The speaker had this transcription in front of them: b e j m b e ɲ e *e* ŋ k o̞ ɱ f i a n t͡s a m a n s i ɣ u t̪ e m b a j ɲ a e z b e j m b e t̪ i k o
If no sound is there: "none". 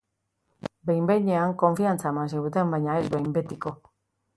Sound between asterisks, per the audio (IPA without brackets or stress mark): a